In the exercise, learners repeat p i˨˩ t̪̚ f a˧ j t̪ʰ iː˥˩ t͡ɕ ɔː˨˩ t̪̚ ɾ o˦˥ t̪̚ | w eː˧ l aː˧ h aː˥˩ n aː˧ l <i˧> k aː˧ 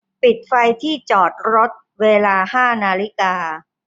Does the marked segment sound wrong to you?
yes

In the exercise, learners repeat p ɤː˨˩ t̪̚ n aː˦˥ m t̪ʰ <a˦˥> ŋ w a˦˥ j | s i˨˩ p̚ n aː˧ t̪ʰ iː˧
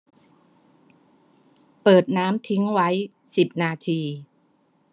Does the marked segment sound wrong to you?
yes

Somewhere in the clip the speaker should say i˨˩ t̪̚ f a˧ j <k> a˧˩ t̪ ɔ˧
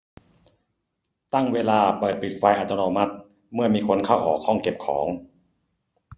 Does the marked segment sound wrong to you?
yes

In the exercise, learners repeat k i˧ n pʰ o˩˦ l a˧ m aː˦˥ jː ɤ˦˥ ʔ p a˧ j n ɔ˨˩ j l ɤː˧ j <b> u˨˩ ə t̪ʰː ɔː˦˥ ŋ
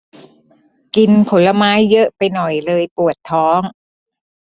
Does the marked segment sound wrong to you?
yes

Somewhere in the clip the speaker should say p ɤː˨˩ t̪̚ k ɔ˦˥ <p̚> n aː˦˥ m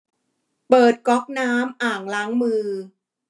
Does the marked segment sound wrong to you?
yes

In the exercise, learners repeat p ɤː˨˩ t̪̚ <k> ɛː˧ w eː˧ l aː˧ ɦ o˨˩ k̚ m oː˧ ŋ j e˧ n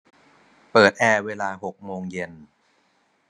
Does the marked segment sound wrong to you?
yes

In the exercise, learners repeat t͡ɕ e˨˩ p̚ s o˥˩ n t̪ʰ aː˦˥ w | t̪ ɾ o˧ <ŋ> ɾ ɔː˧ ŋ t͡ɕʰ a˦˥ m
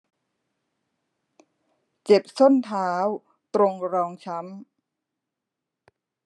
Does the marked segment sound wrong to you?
no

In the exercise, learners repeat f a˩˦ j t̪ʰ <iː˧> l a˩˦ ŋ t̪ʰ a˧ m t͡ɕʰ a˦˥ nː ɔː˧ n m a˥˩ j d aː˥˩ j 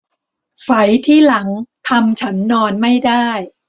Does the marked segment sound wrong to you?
yes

